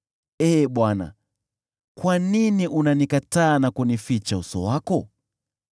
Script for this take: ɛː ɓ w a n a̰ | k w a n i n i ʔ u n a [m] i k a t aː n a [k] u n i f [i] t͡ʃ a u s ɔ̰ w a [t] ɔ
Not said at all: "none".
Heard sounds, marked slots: n, k, i, k

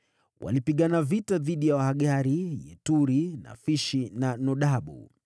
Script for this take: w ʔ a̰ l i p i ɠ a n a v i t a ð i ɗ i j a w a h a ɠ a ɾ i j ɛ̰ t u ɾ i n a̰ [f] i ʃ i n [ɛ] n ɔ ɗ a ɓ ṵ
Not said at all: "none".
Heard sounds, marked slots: f, a

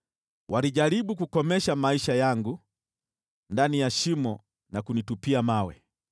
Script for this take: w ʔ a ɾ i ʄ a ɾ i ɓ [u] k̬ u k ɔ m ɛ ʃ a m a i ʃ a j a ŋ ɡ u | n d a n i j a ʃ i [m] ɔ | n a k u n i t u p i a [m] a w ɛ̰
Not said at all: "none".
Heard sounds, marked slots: u, m, m

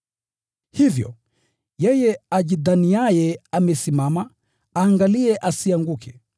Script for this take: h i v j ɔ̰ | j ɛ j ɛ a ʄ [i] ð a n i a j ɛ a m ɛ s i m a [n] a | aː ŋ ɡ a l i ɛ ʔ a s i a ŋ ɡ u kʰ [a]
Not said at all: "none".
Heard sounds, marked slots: i, m, ɛ

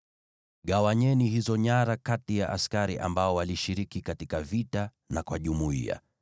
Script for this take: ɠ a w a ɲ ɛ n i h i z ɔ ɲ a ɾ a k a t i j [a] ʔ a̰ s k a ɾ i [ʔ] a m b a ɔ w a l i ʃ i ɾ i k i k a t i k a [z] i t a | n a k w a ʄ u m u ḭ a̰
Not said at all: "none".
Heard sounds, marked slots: a, ʔ, v

